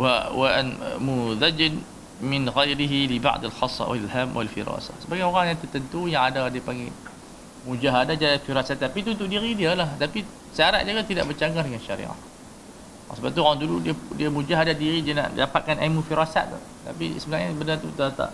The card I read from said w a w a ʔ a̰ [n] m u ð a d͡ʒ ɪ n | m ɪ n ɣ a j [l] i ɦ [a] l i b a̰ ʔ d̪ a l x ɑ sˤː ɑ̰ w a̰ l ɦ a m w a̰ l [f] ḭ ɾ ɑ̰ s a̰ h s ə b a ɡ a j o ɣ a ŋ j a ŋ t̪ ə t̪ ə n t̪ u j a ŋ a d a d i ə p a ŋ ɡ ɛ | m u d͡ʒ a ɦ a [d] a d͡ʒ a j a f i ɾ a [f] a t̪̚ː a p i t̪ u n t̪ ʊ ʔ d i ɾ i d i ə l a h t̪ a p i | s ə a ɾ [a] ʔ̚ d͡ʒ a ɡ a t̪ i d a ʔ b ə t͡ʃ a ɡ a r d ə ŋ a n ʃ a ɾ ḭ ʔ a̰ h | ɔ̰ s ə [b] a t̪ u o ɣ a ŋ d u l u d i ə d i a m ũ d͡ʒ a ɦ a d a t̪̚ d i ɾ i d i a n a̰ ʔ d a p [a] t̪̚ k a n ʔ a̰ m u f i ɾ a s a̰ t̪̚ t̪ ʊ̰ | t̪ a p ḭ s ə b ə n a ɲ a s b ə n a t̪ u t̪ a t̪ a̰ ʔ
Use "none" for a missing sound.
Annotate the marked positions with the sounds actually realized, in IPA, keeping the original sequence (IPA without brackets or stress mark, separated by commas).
n, ɾ, i, f, d, s, a, b, a